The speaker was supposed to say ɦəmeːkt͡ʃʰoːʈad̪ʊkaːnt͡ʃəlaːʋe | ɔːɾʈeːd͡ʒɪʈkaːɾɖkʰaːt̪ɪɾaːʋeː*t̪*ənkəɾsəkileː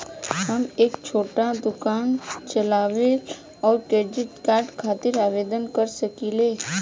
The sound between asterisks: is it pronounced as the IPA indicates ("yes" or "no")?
no